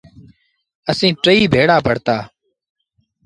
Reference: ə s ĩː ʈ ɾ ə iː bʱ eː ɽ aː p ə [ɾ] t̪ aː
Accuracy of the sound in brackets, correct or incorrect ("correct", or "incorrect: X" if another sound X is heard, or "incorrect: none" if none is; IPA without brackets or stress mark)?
incorrect: ɽ